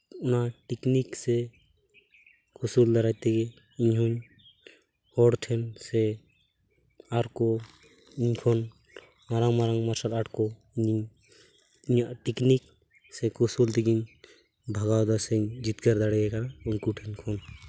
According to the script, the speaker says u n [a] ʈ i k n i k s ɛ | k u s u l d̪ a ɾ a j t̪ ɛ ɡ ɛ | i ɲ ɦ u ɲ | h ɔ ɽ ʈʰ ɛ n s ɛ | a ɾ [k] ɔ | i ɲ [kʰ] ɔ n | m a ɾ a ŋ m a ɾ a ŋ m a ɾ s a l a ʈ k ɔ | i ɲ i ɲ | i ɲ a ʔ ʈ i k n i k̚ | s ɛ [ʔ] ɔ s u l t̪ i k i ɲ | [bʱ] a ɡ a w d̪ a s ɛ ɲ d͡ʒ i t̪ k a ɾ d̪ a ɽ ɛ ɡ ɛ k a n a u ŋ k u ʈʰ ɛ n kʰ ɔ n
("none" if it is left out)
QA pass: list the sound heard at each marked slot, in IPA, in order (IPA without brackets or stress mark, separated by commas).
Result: a, k, kʰ, k, bʱ